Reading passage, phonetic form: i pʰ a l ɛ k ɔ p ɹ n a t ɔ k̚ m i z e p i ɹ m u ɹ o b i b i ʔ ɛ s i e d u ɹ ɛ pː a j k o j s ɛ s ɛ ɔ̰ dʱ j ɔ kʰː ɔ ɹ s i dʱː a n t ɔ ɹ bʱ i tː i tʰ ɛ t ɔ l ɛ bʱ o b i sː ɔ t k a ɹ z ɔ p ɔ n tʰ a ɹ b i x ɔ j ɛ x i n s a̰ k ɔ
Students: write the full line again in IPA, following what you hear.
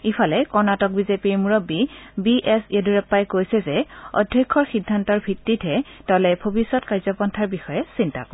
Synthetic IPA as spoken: i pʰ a l ɛ k ɔ ɹ n a t ɔ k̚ b i z e p i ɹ m u ɹ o b i b i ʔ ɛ s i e d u ɹ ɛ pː a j k o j s ɛ z ɛ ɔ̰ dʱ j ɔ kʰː ɔ ɹ x i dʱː a n t ɔ ɹ bʱ i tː i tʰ ɛ t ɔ l ɛ bʱ o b i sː ɔ t k a ɹ z ɔ p ɔ n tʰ a ɹ b i x ɔ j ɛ s i n t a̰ k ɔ